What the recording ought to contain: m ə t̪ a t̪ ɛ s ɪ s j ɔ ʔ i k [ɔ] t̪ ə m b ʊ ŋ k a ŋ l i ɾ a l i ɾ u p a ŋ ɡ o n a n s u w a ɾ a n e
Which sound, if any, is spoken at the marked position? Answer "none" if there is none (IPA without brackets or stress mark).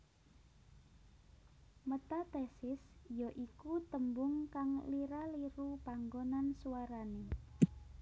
u